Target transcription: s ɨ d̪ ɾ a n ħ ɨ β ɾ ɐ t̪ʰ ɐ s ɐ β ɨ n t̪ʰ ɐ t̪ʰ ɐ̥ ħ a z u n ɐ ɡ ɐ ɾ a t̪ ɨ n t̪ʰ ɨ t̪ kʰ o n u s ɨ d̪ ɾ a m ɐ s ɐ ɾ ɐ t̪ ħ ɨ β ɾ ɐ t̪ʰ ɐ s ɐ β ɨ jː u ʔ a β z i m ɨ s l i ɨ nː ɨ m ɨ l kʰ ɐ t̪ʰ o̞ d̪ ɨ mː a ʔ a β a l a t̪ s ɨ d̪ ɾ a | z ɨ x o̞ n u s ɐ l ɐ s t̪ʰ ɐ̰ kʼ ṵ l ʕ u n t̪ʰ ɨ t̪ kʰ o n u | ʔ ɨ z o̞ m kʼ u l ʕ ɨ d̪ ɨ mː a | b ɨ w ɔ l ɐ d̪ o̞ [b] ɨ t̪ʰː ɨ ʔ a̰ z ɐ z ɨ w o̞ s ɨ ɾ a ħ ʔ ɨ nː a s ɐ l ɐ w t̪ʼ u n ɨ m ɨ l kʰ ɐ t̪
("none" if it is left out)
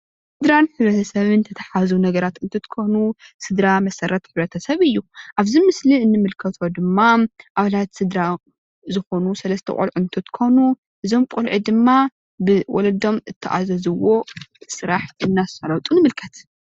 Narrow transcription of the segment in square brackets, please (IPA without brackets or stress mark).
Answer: m